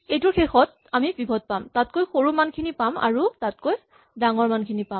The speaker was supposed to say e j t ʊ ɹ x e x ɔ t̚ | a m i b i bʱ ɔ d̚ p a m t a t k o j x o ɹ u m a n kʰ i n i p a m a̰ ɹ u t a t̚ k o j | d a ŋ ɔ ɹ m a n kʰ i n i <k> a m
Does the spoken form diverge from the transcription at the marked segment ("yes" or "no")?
yes